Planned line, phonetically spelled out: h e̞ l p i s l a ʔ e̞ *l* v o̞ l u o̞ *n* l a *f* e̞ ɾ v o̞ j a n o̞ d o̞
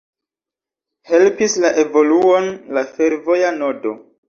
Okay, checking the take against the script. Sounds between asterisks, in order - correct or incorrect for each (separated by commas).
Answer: incorrect, correct, correct